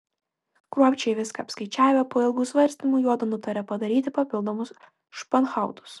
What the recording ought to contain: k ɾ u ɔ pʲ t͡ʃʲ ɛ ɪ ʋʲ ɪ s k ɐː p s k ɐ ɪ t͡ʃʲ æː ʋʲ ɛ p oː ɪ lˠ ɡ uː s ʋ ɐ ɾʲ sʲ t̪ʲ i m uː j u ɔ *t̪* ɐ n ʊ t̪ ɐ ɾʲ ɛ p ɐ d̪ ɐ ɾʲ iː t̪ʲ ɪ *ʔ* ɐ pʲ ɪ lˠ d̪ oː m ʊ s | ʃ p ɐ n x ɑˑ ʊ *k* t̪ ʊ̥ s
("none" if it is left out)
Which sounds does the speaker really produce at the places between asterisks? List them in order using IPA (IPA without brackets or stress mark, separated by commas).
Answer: d̪, p, none